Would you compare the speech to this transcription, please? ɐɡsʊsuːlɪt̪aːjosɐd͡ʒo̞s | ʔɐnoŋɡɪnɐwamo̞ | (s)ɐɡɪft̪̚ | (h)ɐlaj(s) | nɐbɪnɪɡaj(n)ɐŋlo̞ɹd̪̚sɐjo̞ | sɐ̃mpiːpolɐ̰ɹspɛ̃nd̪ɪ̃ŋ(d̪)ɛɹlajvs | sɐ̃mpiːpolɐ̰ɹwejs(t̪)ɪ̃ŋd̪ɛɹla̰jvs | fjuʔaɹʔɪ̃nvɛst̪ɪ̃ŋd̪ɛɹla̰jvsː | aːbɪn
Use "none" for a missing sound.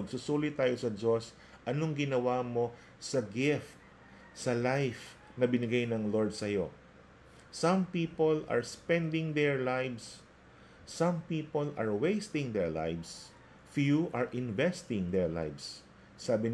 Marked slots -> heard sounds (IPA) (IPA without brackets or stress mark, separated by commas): s, s, f, n, d̪, t̪